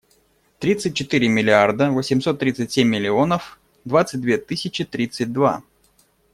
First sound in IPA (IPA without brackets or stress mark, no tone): t̪